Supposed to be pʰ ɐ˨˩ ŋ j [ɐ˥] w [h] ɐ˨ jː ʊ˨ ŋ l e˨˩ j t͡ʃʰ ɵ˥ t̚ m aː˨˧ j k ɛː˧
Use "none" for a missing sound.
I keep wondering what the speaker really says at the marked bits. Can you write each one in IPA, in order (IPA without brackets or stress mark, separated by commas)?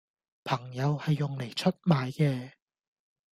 ɐ˨˧, h